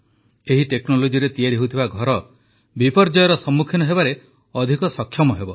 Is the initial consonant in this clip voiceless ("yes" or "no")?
no